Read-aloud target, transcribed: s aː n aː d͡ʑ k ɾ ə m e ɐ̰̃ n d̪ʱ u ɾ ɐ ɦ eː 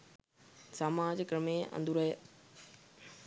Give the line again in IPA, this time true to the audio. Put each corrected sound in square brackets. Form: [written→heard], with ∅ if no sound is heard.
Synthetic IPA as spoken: s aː [n→m] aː d͡ʑ k ɾ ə m e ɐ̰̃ n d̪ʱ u ɾ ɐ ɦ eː